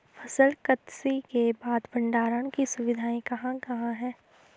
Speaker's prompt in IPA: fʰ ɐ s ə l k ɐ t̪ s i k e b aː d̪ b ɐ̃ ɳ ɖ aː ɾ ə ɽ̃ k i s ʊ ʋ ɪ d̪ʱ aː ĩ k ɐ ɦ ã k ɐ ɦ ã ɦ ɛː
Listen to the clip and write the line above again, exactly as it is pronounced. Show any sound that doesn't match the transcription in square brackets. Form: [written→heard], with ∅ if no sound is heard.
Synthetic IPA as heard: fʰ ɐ s ə l k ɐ t̪ s i k e b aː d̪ b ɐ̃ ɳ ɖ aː ɾ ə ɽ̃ k i s ʊ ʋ ɪ d̪ʱ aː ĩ k ɐ ɦ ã k ɐ ɦ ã ɦ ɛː